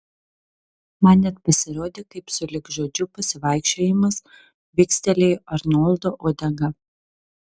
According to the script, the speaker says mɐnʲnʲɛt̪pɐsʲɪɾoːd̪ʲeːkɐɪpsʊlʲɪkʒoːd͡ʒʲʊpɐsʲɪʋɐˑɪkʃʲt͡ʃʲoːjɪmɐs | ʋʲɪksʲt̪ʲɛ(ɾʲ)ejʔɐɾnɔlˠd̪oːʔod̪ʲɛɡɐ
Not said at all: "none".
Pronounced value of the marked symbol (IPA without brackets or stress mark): lʲ